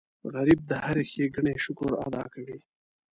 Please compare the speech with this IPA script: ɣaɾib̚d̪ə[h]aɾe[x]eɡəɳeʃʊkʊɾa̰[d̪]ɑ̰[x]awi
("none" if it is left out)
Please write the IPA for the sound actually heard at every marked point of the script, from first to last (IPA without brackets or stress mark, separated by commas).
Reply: h, x, d̪, k